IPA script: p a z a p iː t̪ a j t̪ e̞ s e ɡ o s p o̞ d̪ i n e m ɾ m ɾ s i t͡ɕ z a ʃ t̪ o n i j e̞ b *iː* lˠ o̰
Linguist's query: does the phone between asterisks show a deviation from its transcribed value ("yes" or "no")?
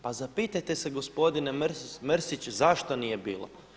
no